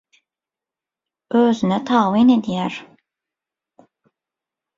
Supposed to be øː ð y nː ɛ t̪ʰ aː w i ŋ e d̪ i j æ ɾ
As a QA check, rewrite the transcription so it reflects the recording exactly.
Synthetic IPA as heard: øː z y n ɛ t̪ʰ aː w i n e d̪ i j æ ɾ